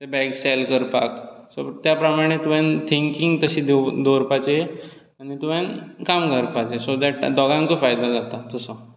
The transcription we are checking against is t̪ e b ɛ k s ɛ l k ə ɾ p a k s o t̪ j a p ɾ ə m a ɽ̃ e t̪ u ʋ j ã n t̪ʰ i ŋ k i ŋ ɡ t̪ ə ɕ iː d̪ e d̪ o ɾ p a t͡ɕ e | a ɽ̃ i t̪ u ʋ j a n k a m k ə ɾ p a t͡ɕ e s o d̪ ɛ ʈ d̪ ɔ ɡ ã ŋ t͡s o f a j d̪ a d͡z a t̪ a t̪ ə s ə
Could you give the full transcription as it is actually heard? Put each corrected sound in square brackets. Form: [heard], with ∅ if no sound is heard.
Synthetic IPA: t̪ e b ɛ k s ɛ l k ə ɾ p a k s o t̪ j a p ɾ ə m a ɽ̃ e t̪ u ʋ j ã n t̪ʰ i ŋ k i ŋ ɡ t̪ ə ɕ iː d̪ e d̪ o ɾ p a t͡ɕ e | a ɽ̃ i t̪ u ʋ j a n k a m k ə ɾ p a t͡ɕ e s o d̪ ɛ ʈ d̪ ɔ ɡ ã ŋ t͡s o f a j d̪ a d͡z a t̪ a t̪ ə s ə